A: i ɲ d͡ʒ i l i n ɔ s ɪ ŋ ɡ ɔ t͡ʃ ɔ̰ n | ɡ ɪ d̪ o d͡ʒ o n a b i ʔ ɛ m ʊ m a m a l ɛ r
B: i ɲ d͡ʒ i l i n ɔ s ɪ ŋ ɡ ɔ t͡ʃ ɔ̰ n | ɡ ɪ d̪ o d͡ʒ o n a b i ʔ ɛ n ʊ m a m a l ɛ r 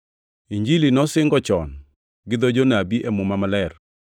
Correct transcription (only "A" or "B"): A